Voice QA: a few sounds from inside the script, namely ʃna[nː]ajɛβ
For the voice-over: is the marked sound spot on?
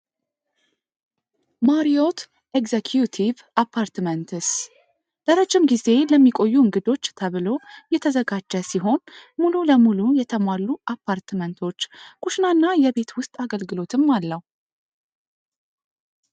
yes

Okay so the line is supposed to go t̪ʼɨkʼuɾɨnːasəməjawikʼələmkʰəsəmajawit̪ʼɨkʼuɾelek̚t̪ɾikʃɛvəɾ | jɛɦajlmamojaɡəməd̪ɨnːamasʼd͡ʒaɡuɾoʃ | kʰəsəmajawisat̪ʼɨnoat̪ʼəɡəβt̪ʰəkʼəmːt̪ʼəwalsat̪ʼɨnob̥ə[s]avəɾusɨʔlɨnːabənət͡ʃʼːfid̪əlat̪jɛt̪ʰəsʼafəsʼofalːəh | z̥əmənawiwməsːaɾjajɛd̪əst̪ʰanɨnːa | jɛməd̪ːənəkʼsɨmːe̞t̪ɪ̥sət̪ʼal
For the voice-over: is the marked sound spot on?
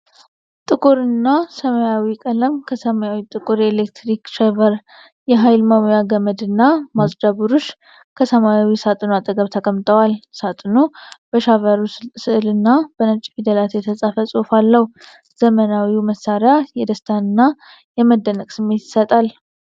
no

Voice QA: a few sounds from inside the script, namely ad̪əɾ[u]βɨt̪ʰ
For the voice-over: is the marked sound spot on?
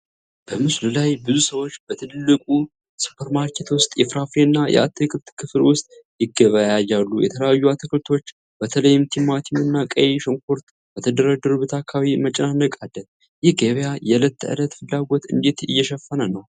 yes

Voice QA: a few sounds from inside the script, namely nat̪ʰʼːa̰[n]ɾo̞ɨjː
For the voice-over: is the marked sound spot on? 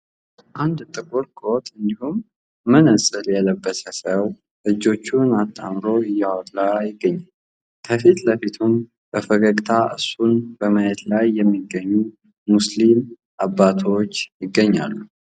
no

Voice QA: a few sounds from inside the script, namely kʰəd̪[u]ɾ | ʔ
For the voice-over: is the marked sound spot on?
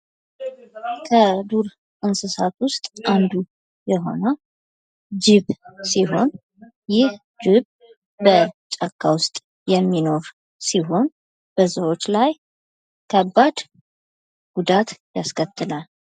yes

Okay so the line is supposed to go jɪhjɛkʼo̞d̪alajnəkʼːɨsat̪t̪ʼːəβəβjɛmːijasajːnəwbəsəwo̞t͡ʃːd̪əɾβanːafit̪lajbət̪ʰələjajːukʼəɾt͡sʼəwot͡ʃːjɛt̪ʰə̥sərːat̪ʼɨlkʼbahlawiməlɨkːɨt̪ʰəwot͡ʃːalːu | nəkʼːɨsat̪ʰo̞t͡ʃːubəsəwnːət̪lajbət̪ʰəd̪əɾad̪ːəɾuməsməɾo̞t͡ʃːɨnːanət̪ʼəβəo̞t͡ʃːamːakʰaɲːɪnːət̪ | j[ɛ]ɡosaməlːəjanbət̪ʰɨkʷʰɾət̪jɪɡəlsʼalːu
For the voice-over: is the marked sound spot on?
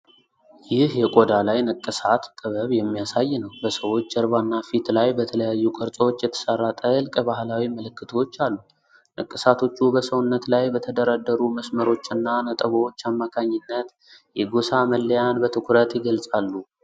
yes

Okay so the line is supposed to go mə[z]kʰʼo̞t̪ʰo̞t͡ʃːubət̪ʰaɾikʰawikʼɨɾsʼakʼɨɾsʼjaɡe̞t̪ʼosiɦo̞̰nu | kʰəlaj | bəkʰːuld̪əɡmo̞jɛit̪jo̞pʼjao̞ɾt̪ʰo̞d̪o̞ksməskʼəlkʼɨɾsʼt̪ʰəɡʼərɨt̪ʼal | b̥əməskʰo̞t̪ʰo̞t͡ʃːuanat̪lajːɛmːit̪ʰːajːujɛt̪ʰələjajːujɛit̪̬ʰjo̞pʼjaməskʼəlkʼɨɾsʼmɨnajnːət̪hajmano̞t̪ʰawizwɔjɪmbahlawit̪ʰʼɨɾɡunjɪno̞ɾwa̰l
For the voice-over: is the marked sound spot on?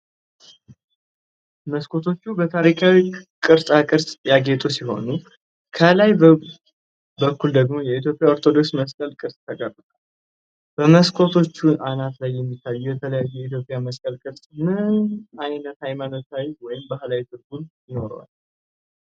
no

